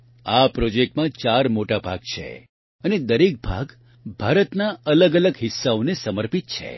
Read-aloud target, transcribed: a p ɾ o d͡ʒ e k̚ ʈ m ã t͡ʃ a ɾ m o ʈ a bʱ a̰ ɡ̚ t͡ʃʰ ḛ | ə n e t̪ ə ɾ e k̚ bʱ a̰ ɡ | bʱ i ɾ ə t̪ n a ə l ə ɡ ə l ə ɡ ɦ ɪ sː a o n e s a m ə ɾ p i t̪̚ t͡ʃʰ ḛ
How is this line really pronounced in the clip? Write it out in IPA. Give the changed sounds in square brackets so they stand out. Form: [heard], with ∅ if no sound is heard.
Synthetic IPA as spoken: a p ɾ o d͡ʒ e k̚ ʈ m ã t͡ʃ a ɾ m o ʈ a bʱ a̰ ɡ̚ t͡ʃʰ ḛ | ə n e [d̪] ə ɾ e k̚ bʱ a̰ ɡ | bʱ [a] ɾ ə t̪ n a ə l ə ɡ ə l ə ɡ ɦ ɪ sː a o n e s [ə] m ə ɾ p i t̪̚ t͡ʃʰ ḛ